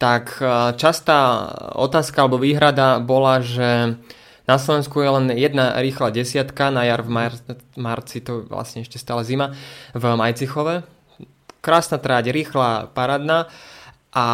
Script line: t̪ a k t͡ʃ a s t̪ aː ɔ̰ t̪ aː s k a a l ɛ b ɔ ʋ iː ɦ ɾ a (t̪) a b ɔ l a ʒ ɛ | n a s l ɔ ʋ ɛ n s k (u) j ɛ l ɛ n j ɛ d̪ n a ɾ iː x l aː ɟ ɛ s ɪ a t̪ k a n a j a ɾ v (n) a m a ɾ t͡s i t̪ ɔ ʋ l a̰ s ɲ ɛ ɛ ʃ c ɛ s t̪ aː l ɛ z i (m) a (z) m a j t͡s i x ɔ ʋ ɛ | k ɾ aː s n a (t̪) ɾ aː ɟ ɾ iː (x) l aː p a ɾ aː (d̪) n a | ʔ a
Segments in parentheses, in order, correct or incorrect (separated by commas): incorrect, correct, incorrect, correct, incorrect, correct, correct, correct